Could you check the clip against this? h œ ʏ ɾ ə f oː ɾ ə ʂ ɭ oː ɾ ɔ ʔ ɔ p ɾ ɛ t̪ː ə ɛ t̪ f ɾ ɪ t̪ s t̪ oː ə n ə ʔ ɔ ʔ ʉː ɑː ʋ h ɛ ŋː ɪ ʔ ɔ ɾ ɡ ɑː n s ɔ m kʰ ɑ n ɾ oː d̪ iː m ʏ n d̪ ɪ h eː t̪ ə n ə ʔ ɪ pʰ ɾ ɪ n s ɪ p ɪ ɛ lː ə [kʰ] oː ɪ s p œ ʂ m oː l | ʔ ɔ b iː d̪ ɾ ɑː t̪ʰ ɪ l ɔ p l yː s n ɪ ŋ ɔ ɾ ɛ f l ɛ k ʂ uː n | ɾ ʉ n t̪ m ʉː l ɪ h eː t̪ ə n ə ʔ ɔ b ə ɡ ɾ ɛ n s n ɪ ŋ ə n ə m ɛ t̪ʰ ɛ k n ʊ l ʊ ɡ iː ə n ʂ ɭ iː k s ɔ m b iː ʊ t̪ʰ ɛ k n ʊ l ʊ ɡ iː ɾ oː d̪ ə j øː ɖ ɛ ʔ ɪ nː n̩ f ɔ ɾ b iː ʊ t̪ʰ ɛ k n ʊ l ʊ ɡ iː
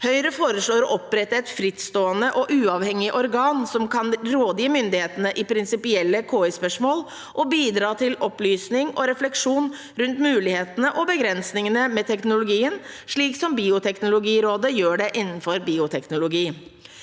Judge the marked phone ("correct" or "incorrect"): correct